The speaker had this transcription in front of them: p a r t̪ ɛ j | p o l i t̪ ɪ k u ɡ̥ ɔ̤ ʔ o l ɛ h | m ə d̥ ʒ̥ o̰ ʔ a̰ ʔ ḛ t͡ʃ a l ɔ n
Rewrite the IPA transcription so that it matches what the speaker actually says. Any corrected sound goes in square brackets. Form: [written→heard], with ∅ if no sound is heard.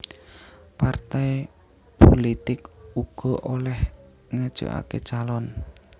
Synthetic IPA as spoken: p a r t̪ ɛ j | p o l i t̪ ɪ k u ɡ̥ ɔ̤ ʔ o l ɛ h | [m→ŋ] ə d̥ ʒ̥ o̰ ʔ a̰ [ʔ→k] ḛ t͡ʃ a l ɔ n

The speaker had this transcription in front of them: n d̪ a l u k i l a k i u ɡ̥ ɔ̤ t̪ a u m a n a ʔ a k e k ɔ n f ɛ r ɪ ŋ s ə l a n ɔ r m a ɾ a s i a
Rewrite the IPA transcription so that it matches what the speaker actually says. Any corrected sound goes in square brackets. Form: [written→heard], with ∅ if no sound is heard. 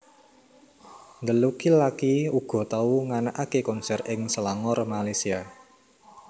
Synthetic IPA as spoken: n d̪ [a→ə] l u k i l a k i u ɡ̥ ɔ̤ t̪ a u [m→ŋ] a n a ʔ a k e k ɔ n [f→s] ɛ r ɪ ŋ s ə l a [n→ŋ] ɔ r m a [ɾ→l] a s i a

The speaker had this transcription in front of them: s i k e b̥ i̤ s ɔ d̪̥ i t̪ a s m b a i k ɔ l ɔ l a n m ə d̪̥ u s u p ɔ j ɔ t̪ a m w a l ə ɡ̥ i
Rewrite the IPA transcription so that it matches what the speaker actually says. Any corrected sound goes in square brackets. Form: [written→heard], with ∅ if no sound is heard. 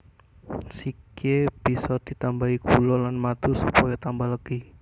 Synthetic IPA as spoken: s i k e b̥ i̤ s ɔ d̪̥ i t̪ a [s→∅] m b a i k [ɔ→u] l ɔ l a n m [ə→a] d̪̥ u s u p ɔ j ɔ t̪ a m [w→b] a l ə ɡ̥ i

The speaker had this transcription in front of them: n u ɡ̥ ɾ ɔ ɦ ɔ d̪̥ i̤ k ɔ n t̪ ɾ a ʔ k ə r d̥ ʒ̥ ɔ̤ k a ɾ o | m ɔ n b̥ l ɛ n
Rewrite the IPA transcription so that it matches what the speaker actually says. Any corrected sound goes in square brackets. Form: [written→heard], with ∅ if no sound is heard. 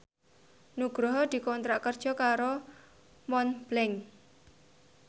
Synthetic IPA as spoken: n u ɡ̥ ɾ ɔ ɦ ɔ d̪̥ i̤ k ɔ n t̪ ɾ a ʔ k ə r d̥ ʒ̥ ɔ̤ k a ɾ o | m ɔ n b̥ l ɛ [n→ŋ]

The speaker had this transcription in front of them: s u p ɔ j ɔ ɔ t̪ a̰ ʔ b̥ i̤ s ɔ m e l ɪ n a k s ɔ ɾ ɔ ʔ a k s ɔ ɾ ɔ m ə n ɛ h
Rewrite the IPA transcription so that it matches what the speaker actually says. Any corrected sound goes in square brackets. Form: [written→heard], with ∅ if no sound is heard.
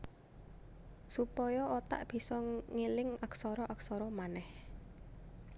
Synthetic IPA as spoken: s u p ɔ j ɔ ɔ t̪ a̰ ʔ b̥ i̤ s ɔ [m→ŋ] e l ɪ [n→ŋ] a k s ɔ ɾ ɔ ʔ a k s ɔ ɾ ɔ m [ə→a] n ɛ h

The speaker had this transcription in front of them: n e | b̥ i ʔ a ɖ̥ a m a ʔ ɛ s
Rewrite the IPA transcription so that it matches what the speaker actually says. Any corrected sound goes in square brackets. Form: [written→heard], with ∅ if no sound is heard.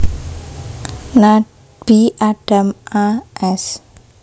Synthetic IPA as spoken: n [e→a] | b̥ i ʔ a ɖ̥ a m a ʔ ɛ s

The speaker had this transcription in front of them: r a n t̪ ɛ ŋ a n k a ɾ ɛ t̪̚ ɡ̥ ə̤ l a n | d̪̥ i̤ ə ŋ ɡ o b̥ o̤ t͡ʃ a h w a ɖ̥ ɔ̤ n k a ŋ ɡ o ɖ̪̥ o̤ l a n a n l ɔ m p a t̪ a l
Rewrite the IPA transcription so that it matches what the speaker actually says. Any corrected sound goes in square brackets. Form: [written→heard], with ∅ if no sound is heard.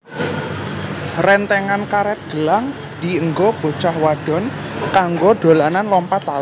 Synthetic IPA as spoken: r [a→ɛ] n t̪ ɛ ŋ a n k a ɾ ɛ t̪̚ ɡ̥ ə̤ l a [n→ŋ] | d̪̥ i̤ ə ŋ ɡ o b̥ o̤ t͡ʃ a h w a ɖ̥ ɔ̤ n k a ŋ ɡ o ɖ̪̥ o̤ l a n a n l ɔ m p a t̪ a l

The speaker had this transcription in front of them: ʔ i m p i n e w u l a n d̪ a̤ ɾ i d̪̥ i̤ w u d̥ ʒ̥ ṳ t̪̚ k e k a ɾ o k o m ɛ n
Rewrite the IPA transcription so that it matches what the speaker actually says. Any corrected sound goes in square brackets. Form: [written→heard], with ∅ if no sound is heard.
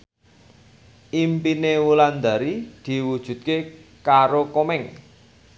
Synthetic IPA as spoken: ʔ i m p i n e w u l a n d̪ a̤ ɾ i d̪̥ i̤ w u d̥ ʒ̥ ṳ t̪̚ k e k a ɾ o k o m ɛ [n→ŋ]

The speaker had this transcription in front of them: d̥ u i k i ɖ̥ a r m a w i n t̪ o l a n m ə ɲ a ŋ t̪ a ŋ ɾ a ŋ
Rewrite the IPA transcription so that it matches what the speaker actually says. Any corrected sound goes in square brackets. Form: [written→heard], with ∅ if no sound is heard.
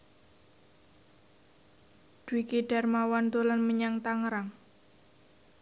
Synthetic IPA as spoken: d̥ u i k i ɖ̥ a r m a w [i→a] n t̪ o l a n m ə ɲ a ŋ t̪ a ŋ ɾ a ŋ

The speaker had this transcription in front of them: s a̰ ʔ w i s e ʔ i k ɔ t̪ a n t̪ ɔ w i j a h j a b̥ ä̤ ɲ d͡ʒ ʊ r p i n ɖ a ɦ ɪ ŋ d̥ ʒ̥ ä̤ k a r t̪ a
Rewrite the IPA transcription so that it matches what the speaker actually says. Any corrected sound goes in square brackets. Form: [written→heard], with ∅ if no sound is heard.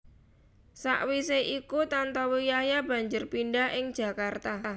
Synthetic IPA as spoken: s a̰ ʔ w i s e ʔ i k [ɔ→u] t̪ a n t̪ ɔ w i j a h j a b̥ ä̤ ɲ d͡ʒ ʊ r p i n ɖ a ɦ ɪ ŋ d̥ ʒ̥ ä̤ k a r t̪ a

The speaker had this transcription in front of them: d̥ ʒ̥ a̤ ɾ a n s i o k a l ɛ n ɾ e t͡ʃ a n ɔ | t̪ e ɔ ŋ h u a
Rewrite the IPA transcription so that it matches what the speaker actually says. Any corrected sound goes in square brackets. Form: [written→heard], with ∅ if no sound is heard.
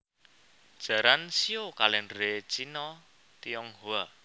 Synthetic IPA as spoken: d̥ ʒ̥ a̤ ɾ a n s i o k a l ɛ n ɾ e t͡ʃ [a→i] n ɔ | t̪ [e→i] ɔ ŋ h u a

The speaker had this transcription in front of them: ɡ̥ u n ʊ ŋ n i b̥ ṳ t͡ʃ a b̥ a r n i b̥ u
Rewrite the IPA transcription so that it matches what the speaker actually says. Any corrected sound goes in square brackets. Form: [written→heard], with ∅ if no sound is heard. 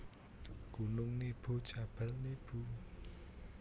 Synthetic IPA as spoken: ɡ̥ u n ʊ ŋ n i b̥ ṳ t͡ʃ a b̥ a [r→l] n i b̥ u

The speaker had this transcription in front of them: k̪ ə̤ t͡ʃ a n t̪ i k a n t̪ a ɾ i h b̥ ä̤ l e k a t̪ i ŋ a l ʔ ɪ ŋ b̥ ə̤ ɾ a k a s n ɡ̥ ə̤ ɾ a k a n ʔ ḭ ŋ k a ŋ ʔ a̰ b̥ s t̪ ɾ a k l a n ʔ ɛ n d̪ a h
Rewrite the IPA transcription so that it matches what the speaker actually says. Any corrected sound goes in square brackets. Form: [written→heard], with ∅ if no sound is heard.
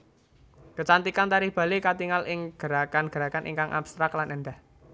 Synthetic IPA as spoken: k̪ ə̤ t͡ʃ a n t̪ i k a n t̪ a ɾ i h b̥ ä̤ l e k a t̪ i ŋ a l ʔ ɪ ŋ [b̥→ɡ̥] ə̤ ɾ a k a [s→∅] n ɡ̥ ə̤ ɾ a k a n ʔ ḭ ŋ k a ŋ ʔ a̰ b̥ s t̪ ɾ a k l a n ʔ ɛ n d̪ a h

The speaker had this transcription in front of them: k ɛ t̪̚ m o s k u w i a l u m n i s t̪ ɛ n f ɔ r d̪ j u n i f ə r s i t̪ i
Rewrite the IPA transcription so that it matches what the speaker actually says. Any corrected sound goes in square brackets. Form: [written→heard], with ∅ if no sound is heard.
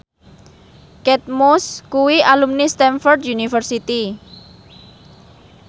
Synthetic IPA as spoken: k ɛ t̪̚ m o s k u w i a l u m n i s t̪ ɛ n f ɔ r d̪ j u n i f ə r s i t̪ i

